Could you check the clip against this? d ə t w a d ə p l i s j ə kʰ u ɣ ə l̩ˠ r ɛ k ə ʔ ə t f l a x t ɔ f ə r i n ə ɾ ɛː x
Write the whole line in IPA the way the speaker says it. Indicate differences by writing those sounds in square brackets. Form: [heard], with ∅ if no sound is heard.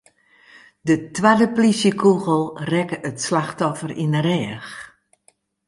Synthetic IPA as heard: d ə t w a d ə p l i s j ə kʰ u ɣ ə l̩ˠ r ɛ k ə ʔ ə t [s] l a x t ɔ f ə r i n ə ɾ ɛː x